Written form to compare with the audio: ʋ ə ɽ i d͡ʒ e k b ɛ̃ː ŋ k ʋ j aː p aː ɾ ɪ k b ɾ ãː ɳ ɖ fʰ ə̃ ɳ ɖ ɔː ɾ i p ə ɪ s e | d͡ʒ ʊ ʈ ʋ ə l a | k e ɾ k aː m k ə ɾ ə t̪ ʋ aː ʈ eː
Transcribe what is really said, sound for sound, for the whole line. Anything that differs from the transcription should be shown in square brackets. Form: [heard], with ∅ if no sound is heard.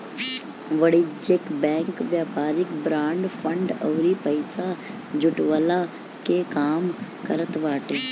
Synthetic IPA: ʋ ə ɽ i d͡ʒ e k b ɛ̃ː ŋ k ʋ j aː p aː ɾ ɪ k b ɾ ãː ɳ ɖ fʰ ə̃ ɳ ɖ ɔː ɾ i p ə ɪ s [a] | d͡ʒ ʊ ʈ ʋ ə l a | k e [∅] k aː m k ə ɾ ə t̪ ʋ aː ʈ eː